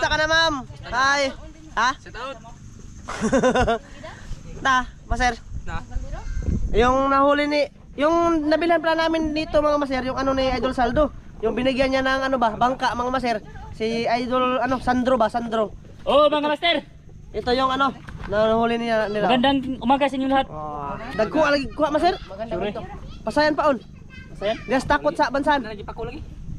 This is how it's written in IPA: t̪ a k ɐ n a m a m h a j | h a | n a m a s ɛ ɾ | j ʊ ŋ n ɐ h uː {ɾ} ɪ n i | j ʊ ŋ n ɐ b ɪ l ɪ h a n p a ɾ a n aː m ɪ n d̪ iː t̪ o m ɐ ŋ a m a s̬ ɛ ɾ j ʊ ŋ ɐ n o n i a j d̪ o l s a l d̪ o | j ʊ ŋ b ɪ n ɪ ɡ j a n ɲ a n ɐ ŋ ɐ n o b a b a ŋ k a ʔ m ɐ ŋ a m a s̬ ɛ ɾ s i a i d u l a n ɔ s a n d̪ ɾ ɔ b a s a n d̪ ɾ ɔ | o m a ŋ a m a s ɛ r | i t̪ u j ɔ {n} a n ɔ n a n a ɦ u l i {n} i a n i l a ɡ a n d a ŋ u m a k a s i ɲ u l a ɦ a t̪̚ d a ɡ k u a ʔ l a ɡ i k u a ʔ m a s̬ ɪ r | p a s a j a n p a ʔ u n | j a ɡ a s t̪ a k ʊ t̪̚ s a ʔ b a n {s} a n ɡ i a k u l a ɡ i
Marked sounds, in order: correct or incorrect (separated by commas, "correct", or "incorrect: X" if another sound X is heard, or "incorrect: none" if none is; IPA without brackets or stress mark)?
incorrect: l, incorrect: ŋ, correct, correct